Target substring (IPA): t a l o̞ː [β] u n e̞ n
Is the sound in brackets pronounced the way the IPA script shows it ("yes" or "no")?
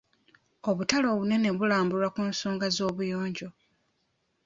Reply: yes